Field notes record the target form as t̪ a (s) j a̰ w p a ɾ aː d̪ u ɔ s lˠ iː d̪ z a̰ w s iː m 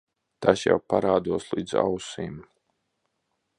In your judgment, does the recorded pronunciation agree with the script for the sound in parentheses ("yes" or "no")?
yes